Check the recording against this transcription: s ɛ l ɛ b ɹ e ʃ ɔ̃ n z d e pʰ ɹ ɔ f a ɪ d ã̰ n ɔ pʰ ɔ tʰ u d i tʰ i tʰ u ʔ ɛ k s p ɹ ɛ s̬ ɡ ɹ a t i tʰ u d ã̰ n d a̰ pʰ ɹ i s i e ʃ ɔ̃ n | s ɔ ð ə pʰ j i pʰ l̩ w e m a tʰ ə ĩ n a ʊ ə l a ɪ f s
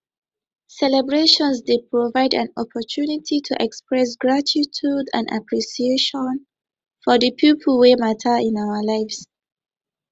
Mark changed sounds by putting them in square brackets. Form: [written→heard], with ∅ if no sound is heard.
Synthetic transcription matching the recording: s ɛ l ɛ b ɹ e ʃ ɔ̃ n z d e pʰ ɹ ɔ [f→v] a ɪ d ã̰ n ɔ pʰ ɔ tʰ u [d→n] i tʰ i tʰ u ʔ ɛ k s p ɹ ɛ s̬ ɡ ɹ a t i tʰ u d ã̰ n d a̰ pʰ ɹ i s i e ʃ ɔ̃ n | [s→f] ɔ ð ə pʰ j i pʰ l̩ w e m a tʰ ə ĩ n a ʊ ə l a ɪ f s